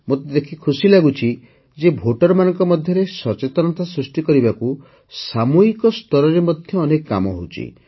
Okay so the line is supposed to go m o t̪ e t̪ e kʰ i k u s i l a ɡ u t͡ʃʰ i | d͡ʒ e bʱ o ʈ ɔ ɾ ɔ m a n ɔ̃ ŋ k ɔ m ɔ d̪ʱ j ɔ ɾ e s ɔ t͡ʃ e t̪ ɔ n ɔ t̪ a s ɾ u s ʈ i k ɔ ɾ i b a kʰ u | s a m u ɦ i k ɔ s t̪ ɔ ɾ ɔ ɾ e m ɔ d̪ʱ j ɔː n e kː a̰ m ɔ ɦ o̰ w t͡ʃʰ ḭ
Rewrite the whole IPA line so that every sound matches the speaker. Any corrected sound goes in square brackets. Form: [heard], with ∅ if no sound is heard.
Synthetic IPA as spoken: m o t̪ e [d̪] e kʰ i [kʰ] u s i l a ɡ u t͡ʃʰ i | d͡ʒ e bʱ o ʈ ɔ ɾ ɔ m a n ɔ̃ ŋ k ɔ m ɔ d̪ʱ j ɔ ɾ e s ɔ t͡ʃ e t̪ ɔ n ɔ t̪ a s ɾ u s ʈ i k ɔ ɾ i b a [k] u | s a m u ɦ i k ɔ s t̪ ɔ ɾ ɔ ɾ e m ɔ d̪ʱ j ɔː n e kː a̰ m ɔ ɦ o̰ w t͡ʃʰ ḭ